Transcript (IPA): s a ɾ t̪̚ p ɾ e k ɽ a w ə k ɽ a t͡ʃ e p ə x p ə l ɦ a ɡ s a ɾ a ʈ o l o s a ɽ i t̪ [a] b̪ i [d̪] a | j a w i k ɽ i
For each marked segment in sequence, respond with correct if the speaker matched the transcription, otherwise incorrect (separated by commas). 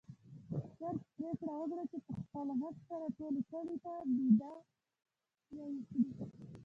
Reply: correct, correct